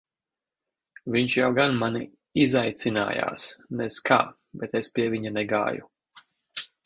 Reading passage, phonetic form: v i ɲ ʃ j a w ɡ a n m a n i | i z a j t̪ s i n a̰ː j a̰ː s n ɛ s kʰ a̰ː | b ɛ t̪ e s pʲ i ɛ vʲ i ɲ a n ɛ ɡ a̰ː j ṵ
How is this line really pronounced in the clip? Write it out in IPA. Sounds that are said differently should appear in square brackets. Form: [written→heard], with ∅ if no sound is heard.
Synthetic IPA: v i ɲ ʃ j a w ɡ a n m a n i | i z a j t̪ s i n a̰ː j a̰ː s n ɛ s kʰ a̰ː | b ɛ t̪ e s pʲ i ɛ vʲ i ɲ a n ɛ ɡ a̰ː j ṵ

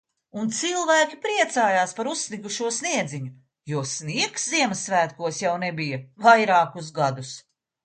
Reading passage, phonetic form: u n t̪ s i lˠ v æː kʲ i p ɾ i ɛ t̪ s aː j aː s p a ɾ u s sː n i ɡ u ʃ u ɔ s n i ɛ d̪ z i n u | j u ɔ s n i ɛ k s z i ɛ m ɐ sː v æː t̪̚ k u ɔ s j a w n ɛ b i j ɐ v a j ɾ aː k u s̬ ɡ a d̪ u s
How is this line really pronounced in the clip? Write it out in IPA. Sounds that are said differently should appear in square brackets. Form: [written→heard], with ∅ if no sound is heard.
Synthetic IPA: u n t̪ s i lˠ v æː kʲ i p ɾ i ɛ t̪ s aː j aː s p a ɾ u s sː n i ɡ u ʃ u ɔ s n i ɛ d̪ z i [n→ɲ] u | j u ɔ s n i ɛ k s z i ɛ m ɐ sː v æː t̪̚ k u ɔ s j a w n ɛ b i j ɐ v a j ɾ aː k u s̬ ɡ a d̪ u s

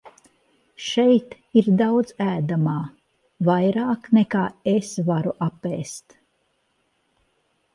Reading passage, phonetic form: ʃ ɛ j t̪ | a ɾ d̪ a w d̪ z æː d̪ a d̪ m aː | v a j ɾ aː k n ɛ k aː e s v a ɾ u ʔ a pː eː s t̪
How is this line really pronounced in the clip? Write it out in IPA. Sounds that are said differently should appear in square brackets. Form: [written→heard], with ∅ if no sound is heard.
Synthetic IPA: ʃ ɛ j t̪ | [a→i] ɾ d̪ a w d̪ z æː d̪ a [d̪→∅] m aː | v a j ɾ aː k n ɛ k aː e s v a ɾ u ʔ a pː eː s t̪

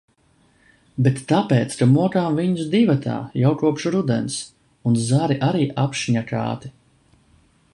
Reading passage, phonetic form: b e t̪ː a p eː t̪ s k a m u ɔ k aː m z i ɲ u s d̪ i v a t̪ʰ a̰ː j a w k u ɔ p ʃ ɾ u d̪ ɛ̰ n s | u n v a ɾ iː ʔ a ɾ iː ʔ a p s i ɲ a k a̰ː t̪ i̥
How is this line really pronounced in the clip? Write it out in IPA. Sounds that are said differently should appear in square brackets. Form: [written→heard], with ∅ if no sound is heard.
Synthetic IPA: b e t̪ː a p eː t̪ s k a m u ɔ k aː m [z→v] i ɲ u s d̪ i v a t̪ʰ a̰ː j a w k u ɔ p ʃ ɾ u d̪ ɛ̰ n s | u n [v→z] a ɾ [iː→i] ʔ a ɾ iː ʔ a p [s→ʃ] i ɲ a k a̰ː t̪ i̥

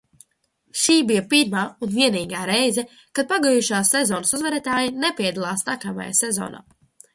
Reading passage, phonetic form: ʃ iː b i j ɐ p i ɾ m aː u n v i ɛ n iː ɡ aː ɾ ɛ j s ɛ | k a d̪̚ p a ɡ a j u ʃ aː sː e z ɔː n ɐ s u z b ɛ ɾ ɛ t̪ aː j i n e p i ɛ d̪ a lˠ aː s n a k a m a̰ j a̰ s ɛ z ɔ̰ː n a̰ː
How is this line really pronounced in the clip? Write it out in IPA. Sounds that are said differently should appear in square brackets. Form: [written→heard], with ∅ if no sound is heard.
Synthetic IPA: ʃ iː b i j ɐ p i ɾ m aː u n v i ɛ n iː ɡ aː ɾ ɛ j [s→z] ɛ | k a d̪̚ p a ɡ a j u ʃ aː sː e z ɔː n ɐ s u z [b→v] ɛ ɾ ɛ t̪ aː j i n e p i ɛ d̪ a lˠ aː s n a k a m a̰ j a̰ s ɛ z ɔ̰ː n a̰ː

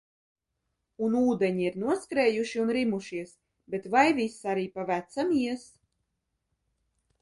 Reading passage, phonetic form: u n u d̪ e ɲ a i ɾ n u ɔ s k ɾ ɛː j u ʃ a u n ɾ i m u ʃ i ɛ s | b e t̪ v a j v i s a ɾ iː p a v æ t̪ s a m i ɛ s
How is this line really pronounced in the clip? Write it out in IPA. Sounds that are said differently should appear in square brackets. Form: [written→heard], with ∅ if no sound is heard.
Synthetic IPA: u n [u→uː] d̪ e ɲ [a→i] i ɾ n u ɔ s k ɾ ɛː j u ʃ [a→i] u n ɾ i m u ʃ i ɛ s | b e t̪ v a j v i s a ɾ iː p a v æ t̪ s a m i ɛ s

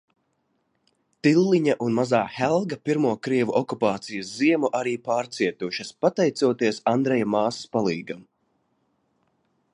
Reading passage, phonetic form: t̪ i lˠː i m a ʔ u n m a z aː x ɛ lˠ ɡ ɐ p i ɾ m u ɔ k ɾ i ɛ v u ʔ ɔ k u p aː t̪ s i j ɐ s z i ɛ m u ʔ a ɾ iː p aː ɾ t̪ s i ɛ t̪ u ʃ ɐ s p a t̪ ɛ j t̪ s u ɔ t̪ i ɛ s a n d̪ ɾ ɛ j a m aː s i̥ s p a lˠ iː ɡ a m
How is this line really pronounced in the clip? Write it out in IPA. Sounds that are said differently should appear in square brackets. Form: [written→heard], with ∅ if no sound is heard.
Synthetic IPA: t̪ i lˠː i [m→ɲ] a ʔ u n m a z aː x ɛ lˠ ɡ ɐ p i ɾ m u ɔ k ɾ i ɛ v u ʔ ɔ k u p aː t̪ s i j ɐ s z i ɛ m u ʔ a ɾ iː p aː ɾ t̪ s i ɛ t̪ u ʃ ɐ s p a t̪ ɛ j t̪ s u ɔ t̪ i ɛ s a n d̪ ɾ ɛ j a m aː s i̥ s p a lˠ iː ɡ a m

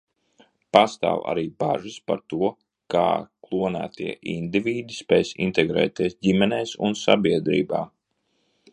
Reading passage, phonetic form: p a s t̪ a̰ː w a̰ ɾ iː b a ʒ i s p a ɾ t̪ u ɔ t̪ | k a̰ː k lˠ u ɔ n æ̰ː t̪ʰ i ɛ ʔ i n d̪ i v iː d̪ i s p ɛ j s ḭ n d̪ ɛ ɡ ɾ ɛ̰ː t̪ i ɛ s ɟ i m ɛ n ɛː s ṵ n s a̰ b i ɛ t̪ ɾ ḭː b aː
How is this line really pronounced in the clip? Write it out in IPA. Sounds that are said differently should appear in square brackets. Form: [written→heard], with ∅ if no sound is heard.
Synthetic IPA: p a s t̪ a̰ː w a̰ ɾ iː b a ʒ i s p a ɾ t̪ u ɔ [t̪→∅] | k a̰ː k lˠ u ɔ n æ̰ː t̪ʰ i ɛ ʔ i n d̪ i v iː d̪ i s p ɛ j s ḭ n [d̪→t̪] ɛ ɡ ɾ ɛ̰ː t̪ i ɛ s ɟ i m ɛ n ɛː s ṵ n s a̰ b i ɛ [t̪→d̪] ɾ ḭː b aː

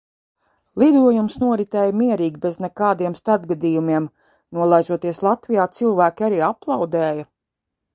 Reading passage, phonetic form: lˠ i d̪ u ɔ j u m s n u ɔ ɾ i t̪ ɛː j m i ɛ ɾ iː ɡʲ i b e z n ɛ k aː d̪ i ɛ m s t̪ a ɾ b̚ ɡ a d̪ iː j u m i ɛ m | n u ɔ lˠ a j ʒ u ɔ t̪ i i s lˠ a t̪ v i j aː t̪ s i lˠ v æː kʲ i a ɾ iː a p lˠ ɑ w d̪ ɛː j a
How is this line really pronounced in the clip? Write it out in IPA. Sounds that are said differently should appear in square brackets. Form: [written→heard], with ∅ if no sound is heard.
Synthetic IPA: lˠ i d̪ u ɔ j u m s n u ɔ ɾ i t̪ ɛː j m i ɛ ɾ iː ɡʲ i b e z n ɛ k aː d̪ i ɛ m s t̪ a ɾ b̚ ɡ a d̪ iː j u m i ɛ m | n u ɔ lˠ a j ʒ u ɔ t̪ i [i→ɛ] s lˠ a t̪ v i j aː t̪ s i lˠ v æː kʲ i a ɾ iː a p lˠ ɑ w d̪ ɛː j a

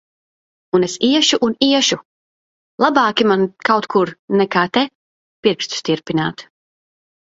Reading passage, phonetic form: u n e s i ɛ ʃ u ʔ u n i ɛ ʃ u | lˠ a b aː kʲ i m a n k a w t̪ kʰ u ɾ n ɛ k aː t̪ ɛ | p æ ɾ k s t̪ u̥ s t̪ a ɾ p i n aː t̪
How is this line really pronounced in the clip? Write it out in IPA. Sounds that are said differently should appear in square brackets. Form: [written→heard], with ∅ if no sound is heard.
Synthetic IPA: u n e s i ɛ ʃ u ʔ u n i ɛ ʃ u | lˠ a b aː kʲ i m a n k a w t̪ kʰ u ɾ n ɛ k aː t̪ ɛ | p [æ→i] ɾ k s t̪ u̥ s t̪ [a→i] ɾ p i n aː t̪

